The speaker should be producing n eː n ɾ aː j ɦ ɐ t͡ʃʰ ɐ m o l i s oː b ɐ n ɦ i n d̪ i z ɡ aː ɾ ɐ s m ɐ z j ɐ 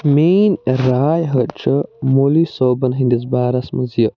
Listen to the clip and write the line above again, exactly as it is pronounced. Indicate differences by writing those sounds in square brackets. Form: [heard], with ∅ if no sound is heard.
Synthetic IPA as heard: [m] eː n ɾ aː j ɦ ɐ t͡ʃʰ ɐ m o l i s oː b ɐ n ɦ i n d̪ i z [b] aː ɾ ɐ s m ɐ z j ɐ